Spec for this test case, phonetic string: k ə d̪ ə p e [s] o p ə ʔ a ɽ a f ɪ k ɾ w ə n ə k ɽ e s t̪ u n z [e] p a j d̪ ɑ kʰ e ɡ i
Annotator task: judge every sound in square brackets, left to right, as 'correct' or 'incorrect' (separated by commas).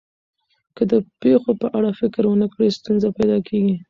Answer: incorrect, incorrect